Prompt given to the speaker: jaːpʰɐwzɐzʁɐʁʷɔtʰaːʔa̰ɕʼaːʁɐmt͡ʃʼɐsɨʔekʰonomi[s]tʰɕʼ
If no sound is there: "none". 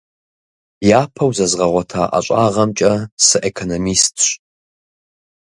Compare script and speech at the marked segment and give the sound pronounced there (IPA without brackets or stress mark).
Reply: s